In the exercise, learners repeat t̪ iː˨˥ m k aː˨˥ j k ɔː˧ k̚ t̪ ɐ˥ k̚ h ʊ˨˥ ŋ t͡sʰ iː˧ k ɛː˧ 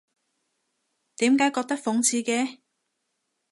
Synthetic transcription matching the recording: t̪ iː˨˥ m k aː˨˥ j k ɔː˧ k̚ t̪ ɐ˥ k̚ f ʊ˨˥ ŋ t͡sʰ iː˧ k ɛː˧

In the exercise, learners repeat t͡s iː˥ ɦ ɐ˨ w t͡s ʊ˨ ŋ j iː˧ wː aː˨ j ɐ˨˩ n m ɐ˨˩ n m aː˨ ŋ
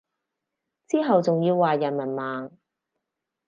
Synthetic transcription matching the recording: t͡s iː˥ ɦ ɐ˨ w t͡s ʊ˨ ŋ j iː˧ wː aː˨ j ɐ˨˩ n m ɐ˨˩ n m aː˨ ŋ

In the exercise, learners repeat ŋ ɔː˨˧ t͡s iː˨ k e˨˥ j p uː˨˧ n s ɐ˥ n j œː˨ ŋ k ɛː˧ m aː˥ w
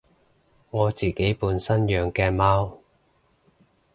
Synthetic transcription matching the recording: ŋ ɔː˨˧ t͡s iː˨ k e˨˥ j p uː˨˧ n s ɐ˥ n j œː˨ ŋ k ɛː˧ m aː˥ w

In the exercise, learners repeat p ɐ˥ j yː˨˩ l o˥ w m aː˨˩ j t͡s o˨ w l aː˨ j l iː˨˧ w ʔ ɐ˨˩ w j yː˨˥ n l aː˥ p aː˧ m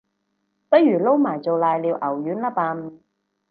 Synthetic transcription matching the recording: p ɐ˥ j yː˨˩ l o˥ w m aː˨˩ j t͡s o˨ w l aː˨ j l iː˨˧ w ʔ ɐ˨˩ w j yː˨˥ n l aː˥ p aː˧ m

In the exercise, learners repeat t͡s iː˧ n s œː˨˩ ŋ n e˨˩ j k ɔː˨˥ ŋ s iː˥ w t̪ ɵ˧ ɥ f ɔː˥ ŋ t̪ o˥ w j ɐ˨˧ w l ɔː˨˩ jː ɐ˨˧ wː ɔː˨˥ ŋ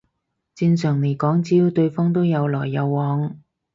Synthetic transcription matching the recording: t͡s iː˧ n s œː˨˩ ŋ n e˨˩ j k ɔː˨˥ ŋ t͡s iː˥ w t̪ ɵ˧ ɥ f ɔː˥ ŋ t̪ o˥ w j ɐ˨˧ w l ɔː˨˩ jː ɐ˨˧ wː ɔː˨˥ ŋ

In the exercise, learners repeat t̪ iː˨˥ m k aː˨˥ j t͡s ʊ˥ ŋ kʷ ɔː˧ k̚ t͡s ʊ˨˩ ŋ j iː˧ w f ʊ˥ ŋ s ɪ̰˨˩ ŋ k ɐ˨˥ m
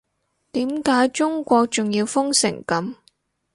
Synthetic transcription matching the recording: t̪ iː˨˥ m k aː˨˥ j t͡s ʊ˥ ŋ kʷ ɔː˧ k̚ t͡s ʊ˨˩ ŋ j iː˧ w f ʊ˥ ŋ s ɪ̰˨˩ ŋ k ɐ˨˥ m

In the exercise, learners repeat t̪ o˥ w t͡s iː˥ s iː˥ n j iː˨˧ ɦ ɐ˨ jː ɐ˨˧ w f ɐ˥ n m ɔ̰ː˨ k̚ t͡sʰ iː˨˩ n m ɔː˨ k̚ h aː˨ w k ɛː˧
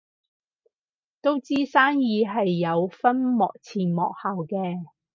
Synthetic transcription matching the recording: t̪ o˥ w t͡s iː˥ s aː˥ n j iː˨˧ ɦ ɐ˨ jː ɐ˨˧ w f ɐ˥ n m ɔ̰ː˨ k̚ t͡sʰ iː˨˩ n m ɔː˨ k̚ h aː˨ w k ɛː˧

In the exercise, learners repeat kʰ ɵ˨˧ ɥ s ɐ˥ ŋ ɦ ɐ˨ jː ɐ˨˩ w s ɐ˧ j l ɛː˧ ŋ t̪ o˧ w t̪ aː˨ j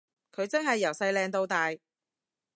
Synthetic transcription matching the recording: kʰ ɵ˨˧ ɥ t͡s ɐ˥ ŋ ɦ ɐ˨ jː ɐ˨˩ w s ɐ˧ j l ɛː˧ ŋ t̪ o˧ w t̪ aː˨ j

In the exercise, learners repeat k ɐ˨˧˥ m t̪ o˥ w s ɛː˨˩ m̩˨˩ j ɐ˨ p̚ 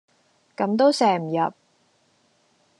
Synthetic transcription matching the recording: k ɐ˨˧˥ m t̪ o˥ w s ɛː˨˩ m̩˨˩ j ɐ˨ p̚

